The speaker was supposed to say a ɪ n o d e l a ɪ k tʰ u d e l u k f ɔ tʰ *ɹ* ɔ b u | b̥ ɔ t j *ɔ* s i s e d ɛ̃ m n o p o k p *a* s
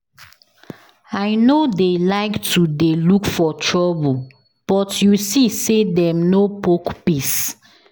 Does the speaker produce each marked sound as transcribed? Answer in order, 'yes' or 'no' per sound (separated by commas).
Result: yes, no, no